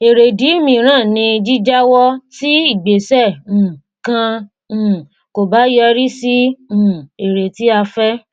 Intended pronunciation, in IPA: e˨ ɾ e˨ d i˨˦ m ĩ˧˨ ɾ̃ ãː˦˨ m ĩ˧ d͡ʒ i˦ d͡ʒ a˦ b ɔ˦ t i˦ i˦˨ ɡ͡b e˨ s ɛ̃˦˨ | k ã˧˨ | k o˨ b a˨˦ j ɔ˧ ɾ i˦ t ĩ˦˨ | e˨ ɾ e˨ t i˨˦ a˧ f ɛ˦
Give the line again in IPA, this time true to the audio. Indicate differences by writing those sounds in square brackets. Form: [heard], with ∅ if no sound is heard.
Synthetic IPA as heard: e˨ ɾ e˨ d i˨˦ m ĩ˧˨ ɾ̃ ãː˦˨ [n] ĩ˧ d͡ʒ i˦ d͡ʒ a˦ [w] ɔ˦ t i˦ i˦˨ ɡ͡b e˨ s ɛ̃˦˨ | k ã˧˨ | k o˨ b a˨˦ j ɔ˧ ɾ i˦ [s] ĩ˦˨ | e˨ ɾ e˨ t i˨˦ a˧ f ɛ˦